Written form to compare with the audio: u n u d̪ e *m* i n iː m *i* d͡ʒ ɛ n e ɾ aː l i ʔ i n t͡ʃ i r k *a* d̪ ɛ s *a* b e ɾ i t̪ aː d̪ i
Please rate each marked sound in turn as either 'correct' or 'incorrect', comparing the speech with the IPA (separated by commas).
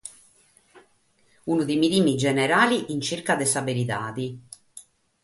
correct, correct, correct, correct